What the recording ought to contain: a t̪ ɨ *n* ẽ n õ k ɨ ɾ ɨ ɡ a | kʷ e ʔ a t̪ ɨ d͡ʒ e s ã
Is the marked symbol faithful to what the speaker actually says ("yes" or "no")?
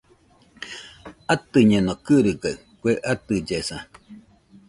no